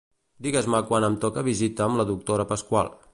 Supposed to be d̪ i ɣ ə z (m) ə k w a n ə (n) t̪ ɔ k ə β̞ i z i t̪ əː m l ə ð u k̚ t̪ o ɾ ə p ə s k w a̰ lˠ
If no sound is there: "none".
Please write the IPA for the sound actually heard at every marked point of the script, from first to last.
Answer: m, m

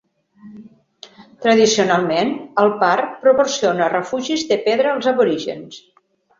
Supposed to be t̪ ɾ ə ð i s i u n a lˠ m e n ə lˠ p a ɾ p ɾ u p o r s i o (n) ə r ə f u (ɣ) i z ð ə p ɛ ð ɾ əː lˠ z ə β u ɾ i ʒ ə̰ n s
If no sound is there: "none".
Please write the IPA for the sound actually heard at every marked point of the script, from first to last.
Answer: n, ʒ

